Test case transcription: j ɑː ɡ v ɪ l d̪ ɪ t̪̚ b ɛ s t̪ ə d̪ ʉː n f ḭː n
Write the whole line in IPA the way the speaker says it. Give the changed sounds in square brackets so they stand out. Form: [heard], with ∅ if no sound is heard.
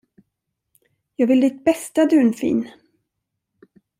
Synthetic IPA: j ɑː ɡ v ɪ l d̪ ɪ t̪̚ b ɛ s t̪ [a] d̪ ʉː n f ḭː n